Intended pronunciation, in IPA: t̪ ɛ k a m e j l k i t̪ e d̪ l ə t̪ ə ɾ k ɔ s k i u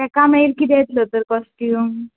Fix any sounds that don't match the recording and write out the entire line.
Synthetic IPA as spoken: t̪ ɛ k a m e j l k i d̪ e t̪ l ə t̪ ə ɾ k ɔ s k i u